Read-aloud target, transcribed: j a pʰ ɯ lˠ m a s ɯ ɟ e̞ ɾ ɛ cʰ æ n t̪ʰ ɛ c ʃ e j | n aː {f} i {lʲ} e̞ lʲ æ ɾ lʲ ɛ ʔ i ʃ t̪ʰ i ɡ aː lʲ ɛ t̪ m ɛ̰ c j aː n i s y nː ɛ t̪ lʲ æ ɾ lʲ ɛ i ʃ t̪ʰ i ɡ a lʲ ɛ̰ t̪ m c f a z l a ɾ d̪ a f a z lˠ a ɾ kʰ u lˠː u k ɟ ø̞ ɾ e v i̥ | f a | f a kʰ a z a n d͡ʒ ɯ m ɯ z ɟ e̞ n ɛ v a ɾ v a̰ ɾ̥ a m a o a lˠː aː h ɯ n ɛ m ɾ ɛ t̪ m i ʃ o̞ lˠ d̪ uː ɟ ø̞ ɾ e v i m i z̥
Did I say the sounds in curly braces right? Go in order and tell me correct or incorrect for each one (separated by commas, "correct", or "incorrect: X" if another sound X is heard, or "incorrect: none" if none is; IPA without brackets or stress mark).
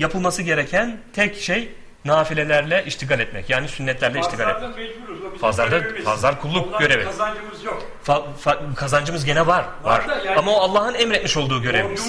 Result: correct, correct